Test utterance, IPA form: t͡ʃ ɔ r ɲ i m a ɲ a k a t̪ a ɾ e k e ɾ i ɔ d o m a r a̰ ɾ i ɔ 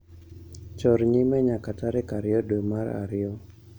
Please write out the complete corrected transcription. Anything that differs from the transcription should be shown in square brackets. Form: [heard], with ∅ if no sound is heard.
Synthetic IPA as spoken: t͡ʃ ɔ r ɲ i m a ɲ a k a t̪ a ɾ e k [a] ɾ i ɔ d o m a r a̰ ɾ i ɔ